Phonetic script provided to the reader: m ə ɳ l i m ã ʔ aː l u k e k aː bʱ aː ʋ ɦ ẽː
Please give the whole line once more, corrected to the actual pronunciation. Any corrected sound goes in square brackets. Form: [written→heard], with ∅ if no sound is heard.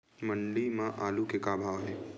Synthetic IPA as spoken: m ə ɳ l i m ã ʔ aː l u k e k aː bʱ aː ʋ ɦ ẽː

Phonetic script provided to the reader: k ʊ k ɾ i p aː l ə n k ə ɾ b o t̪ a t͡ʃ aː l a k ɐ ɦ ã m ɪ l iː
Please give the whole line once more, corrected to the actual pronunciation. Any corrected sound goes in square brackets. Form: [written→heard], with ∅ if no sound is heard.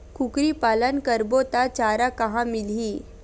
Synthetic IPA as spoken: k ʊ k ɾ i p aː l ə n k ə ɾ b o t̪ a t͡ʃ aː [l→ɾ] a k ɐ ɦ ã m ɪ l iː

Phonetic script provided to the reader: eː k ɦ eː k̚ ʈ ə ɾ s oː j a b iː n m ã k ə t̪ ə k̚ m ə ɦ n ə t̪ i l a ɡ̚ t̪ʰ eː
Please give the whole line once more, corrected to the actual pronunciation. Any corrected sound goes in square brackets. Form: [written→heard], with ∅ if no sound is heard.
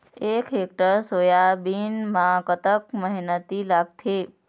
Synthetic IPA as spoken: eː k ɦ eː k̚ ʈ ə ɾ s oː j a b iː n m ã k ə t̪ ə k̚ m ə ɦ n ə t̪ i l a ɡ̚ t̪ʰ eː

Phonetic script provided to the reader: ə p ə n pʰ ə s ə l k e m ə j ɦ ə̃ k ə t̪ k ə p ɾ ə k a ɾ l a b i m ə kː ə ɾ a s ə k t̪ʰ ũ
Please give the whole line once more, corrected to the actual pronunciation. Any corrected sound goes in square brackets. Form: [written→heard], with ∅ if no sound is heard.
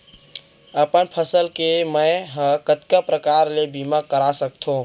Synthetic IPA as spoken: ə p ə n pʰ ə s ə l k e m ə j ɦ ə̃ k ə t̪ k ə p ɾ ə k a ɾ l [a→e] b i m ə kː ə ɾ a s ə k t̪ʰ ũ

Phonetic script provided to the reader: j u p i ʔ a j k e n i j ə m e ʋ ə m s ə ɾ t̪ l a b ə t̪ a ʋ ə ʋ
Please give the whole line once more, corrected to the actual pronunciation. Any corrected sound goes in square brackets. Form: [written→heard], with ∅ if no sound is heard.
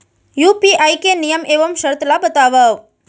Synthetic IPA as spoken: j u p i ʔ a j k e n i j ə m e ʋ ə m [s→ʃ] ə ɾ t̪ l a b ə t̪ a ʋ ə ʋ

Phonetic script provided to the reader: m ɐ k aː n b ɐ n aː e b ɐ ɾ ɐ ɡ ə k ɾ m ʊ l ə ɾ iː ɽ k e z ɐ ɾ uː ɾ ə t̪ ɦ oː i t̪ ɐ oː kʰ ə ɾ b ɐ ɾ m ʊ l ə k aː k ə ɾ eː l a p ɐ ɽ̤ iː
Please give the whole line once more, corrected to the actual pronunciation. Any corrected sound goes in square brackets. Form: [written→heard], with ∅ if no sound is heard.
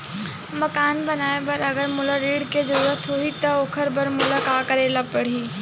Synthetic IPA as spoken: m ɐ k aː n b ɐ n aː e b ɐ ɾ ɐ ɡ ə [k→∅] ɾ m ʊ l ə ɾ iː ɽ k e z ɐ ɾ uː ɾ ə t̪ ɦ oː i t̪ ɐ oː kʰ ə ɾ b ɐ ɾ m ʊ l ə k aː k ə ɾ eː l a p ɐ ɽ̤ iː

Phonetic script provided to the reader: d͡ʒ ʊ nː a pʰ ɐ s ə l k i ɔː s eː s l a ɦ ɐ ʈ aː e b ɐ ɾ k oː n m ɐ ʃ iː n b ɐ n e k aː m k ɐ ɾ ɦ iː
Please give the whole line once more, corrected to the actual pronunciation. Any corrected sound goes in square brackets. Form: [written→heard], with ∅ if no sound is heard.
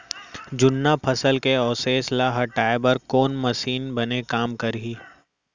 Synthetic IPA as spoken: d͡ʒ ʊ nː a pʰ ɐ s ə l k [i→e] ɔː s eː s l a ɦ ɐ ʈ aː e b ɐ ɾ k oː n m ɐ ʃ iː n b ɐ n e k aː m k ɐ ɾ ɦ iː

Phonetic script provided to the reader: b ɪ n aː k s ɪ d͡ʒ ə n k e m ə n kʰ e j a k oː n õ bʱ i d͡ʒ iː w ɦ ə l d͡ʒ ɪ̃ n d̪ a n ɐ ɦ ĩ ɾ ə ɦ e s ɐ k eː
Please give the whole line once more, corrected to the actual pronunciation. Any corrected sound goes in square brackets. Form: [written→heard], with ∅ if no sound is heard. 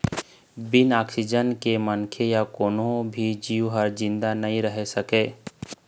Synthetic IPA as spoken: b ɪ n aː k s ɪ d͡ʒ ə n k e m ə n kʰ e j a k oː n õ bʱ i d͡ʒ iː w ɦ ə [l→ɾ] d͡ʒ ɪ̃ n d̪ a n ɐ ɦ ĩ ɾ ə ɦ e s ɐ k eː

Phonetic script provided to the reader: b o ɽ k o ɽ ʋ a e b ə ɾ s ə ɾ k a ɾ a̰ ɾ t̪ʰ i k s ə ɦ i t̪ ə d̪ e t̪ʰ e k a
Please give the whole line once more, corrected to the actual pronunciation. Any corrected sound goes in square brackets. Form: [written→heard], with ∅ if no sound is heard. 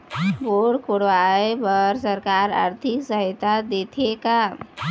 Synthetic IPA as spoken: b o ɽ k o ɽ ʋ a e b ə ɾ s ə ɾ k a ɾ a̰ ɾ t̪ʰ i k s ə ɦ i t̪ [ə→a] d̪ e t̪ʰ e k a

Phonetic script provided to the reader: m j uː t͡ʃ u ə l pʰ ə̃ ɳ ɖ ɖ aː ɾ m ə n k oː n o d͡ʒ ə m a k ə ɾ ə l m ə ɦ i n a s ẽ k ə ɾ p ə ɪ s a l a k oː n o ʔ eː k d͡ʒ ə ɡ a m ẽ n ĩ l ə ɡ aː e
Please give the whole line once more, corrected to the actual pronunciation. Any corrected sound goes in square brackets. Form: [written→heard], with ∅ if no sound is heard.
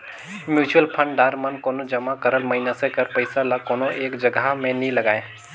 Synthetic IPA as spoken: m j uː t͡ʃ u ə l pʰ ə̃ ɳ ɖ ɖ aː ɾ m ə n k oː n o d͡ʒ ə m a k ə ɾ ə l m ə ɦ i n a s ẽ k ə ɾ p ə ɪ s a l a k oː n o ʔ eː k d͡ʒ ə ɡ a m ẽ n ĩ l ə ɡ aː e

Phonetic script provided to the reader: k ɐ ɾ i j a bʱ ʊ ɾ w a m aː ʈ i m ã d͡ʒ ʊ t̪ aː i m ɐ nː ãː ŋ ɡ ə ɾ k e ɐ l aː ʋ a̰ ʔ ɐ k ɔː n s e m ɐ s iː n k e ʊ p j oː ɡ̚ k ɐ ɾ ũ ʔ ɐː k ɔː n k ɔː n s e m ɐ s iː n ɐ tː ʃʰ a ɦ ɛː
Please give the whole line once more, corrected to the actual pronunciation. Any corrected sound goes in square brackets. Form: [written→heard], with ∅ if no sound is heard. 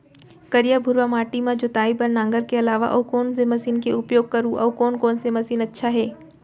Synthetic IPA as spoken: k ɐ ɾ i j a bʱ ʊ ɾ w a m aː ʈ i m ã d͡ʒ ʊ t̪ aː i [m→b] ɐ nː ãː ŋ ɡ ə ɾ k e ɐ l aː ʋ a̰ ʔ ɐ k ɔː n s e m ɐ s iː n k e ʊ p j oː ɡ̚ k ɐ ɾ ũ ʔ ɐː k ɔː n k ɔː n s e m ɐ s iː n ɐ tː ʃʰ a ɦ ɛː

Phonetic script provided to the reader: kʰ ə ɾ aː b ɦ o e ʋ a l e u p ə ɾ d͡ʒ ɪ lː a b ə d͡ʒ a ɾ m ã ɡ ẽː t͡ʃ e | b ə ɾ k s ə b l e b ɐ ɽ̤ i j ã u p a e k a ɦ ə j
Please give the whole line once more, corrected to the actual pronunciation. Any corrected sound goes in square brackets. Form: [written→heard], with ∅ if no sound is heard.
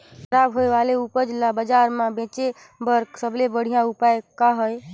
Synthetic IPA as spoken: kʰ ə ɾ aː b ɦ o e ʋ a l e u p ə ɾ d͡ʒ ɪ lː a b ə d͡ʒ a ɾ m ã [ɡ→b] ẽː t͡ʃ e | b ə ɾ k s ə b l e b [ɐ→ə] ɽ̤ i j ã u p a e k a ɦ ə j

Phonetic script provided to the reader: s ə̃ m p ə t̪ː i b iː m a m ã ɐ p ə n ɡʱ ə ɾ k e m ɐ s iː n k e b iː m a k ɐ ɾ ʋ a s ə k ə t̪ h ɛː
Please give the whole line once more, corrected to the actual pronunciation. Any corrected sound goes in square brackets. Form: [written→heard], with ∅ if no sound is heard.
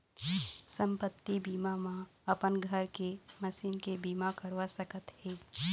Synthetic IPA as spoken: s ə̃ m p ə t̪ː i b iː m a m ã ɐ p ə n ɡʱ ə ɾ k e m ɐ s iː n k e b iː m a k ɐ ɾ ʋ a s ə k ə t̪ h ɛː

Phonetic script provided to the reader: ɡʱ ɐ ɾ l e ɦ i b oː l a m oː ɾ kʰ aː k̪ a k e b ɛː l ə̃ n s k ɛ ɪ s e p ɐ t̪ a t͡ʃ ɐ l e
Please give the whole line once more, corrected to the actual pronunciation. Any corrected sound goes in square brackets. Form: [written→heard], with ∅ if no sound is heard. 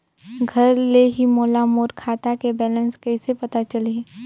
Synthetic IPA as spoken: ɡʱ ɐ ɾ l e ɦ i [b→m] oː l a m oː ɾ kʰ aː [k̪→t̪] a k e b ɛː l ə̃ n s k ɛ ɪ s e p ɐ t̪ a t͡ʃ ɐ l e

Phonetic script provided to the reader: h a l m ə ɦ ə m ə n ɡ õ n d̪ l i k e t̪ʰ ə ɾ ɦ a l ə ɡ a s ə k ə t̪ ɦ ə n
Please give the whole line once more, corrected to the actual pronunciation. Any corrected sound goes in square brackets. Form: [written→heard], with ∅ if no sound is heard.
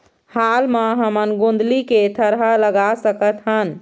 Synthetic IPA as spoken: h a l m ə ɦ ə m ə n ɡ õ n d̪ l i k e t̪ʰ ə ɾ ɦ a l ə ɡ a s ə k ə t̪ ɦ ə n

